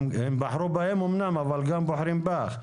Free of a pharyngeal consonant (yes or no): no